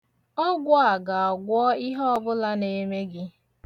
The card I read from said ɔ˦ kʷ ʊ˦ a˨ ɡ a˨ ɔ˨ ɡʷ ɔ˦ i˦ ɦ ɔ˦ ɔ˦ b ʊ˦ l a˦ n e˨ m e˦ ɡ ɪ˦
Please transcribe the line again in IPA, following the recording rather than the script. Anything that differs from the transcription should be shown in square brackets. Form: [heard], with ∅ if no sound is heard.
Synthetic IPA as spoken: ɔ˦ [ɡʷ] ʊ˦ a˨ ɡ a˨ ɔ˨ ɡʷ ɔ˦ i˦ ɦ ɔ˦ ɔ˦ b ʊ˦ l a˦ n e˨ m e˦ ɡ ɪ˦